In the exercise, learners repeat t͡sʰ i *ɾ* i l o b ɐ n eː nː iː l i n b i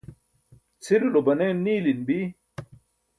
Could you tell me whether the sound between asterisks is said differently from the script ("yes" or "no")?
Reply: no